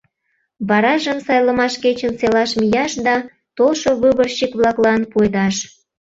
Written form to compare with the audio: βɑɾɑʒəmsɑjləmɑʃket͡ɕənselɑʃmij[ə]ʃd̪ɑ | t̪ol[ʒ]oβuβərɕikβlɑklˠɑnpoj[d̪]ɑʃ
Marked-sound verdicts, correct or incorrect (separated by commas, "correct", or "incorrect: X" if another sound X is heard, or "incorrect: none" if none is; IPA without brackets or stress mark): incorrect: ɑ, incorrect: ʃ, correct